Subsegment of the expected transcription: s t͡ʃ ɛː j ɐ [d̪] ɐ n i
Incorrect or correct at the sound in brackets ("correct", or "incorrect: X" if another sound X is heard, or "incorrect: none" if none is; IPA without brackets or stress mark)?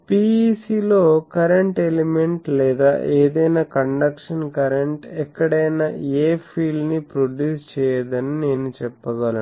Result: correct